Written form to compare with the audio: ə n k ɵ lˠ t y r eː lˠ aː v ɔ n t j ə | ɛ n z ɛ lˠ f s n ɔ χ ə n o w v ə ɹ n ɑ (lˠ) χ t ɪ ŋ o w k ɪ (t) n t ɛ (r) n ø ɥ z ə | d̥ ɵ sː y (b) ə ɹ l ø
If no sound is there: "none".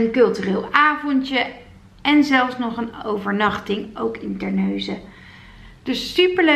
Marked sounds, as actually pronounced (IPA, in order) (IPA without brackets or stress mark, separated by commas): none, none, ɹ, p